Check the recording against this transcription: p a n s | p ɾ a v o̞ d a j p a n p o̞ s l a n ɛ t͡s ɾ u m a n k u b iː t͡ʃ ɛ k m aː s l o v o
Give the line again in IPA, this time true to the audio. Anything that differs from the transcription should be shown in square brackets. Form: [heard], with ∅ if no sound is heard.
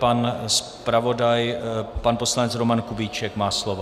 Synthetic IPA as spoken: p a n s | p ɾ a v o̞ d a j p a n p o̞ s l a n ɛ t͡s ɾ [o] m a n k u b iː t͡ʃ ɛ k m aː s l o v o